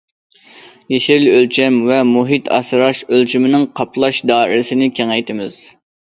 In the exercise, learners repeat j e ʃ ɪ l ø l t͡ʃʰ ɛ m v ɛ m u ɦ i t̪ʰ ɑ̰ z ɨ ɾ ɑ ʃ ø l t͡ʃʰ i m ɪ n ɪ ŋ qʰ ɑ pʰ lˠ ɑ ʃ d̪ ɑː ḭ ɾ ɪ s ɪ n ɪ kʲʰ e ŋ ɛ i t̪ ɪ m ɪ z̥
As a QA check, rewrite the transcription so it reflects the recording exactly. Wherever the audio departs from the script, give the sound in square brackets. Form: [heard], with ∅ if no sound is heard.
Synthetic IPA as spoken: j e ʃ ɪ l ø l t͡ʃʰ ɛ m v ɛ m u ɦ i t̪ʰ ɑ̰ [s] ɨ ɾ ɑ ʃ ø l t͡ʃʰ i m ɪ n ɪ ŋ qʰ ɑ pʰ lˠ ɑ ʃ d̪ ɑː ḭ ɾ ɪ s ɪ n ɪ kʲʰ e ŋ ɛ [j] t̪ ɪ m ɪ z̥